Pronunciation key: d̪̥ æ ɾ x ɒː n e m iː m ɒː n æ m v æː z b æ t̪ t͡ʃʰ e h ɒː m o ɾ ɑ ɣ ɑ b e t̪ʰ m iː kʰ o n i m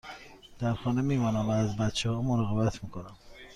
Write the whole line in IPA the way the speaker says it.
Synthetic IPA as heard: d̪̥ æ ɾ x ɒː n e m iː m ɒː n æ m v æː z b æ t̪ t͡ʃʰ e h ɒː m o ɾ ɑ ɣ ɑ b æ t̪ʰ m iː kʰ o n æ m